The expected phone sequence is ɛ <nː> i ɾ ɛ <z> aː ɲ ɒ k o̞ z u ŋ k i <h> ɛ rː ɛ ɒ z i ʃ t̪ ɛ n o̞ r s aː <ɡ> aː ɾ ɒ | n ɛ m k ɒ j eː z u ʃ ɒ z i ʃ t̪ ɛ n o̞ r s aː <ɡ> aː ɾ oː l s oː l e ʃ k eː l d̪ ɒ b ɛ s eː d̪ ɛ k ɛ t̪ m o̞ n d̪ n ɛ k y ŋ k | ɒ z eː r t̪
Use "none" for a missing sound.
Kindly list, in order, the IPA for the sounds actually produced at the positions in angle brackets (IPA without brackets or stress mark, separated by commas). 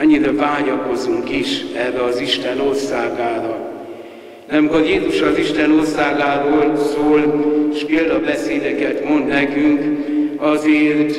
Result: ɲː, v, ʃ, ɡ, ɡ